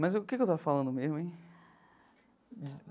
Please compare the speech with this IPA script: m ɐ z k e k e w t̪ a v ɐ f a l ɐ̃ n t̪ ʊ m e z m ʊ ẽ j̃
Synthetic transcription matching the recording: m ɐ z k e k e w t̪ a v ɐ f a l ɐ̃ n d̪ ʊ m e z m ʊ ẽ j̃